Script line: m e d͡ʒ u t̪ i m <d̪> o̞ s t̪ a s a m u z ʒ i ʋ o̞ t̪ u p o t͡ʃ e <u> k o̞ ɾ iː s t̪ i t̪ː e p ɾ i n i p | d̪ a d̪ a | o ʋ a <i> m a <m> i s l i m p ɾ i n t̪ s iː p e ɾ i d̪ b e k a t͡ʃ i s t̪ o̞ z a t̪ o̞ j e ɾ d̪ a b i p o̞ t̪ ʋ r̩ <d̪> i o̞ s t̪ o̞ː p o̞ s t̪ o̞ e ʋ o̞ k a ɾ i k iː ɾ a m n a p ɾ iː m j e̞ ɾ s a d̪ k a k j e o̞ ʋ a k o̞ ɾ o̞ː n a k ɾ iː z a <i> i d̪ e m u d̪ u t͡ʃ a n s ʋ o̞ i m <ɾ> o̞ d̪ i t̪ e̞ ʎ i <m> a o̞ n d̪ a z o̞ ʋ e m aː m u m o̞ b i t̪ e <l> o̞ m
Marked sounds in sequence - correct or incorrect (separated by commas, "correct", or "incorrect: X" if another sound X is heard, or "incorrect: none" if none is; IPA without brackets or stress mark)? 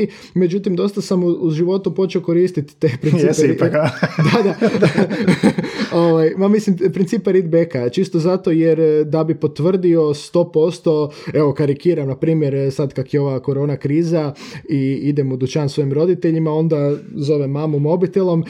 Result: correct, incorrect: o, incorrect: j, correct, correct, correct, correct, correct, correct